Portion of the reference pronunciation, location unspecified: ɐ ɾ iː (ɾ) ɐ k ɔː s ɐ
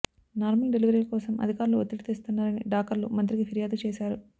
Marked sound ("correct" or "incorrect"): incorrect